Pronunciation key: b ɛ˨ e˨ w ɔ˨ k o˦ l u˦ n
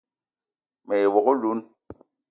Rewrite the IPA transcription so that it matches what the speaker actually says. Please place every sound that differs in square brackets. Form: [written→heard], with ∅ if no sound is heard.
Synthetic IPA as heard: [b→m] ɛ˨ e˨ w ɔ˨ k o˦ l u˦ n